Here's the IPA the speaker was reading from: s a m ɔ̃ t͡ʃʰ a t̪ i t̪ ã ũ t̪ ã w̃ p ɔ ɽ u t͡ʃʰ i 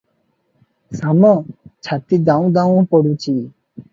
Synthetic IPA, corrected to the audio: s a m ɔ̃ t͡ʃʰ a t̪ i d̪ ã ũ d̪ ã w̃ p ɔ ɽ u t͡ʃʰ i